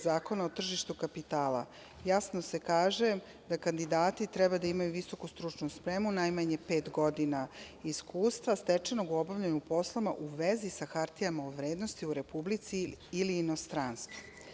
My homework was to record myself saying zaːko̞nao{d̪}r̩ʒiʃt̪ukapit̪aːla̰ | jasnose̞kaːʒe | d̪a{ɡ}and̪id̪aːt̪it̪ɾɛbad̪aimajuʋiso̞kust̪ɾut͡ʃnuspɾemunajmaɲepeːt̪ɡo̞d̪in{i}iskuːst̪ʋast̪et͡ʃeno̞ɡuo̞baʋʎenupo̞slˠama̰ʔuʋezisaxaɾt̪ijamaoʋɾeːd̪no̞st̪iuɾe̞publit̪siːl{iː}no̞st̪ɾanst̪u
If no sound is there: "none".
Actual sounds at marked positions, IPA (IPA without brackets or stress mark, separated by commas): t̪, k, a, iː